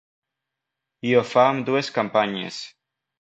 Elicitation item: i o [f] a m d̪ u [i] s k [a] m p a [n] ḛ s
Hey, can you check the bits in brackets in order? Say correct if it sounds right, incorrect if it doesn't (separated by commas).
correct, incorrect, correct, incorrect